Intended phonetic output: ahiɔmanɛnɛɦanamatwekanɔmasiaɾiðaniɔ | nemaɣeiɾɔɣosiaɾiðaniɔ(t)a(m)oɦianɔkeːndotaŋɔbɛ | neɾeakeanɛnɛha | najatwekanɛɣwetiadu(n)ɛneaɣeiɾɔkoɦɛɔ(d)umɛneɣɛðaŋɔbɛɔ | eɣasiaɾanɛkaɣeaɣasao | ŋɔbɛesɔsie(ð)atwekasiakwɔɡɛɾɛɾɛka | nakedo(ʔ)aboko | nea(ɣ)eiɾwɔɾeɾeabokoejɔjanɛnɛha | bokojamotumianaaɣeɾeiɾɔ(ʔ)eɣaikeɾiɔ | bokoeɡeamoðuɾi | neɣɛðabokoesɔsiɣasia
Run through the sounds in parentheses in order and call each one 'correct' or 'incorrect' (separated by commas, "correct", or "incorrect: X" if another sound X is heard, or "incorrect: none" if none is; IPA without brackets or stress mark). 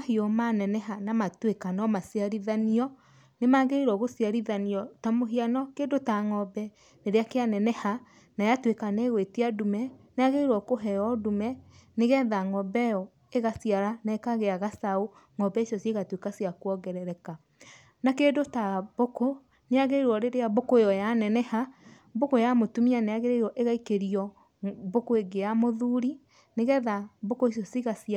correct, correct, incorrect: m, correct, incorrect: ɣ, incorrect: t, correct, correct